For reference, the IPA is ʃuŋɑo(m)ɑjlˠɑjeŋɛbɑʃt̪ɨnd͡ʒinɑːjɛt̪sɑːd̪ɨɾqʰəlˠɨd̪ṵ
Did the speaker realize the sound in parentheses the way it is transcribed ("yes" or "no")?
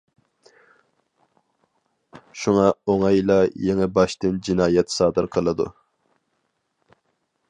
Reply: no